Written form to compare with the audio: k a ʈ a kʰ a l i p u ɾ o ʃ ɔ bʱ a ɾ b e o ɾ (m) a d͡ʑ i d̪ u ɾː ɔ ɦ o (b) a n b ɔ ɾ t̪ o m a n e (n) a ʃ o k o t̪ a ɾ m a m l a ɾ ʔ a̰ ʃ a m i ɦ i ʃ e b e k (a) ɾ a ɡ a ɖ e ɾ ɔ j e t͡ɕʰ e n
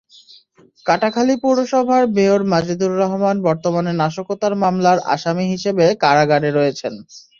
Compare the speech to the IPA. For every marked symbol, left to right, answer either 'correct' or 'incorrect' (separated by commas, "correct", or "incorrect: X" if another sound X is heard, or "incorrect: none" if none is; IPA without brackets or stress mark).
correct, incorrect: m, correct, correct